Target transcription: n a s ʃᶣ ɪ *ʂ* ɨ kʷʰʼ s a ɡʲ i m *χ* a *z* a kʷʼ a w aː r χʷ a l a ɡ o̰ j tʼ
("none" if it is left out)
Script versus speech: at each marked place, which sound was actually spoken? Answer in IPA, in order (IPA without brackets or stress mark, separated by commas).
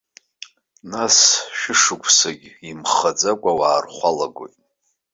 ʂ, χ, d͡z